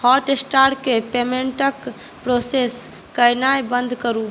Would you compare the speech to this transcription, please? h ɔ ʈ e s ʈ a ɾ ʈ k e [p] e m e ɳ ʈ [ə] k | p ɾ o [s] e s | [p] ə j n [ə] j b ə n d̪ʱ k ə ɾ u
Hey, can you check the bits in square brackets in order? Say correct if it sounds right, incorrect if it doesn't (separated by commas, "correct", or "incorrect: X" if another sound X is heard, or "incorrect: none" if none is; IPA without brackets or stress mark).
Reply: correct, correct, correct, incorrect: k, incorrect: a